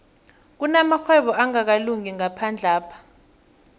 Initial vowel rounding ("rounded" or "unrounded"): rounded